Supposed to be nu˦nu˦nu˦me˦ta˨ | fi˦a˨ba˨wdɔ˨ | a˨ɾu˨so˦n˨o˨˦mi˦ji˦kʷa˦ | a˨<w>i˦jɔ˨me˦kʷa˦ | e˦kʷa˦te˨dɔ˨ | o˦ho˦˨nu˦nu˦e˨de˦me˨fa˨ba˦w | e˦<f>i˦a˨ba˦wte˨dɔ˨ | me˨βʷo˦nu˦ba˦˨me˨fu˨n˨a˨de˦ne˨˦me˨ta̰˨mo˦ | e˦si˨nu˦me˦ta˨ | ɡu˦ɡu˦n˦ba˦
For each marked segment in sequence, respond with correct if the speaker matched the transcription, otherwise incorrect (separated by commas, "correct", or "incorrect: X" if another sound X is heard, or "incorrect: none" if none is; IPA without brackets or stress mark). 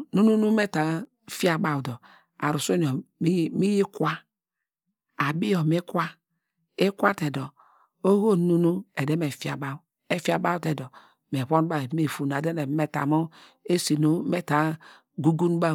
incorrect: b, correct